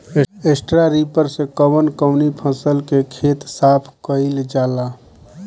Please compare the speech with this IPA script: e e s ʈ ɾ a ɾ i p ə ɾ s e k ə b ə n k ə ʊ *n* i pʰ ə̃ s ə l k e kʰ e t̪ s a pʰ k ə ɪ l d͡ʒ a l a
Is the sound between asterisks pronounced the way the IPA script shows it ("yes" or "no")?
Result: yes